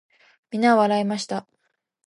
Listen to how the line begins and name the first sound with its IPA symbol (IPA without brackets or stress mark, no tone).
mʲ